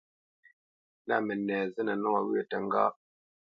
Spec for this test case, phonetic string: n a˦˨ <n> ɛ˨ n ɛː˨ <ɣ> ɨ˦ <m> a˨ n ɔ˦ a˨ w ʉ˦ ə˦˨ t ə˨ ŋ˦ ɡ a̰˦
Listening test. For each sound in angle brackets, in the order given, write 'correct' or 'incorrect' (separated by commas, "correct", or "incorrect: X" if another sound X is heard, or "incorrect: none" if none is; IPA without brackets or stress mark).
incorrect: m, incorrect: z, incorrect: n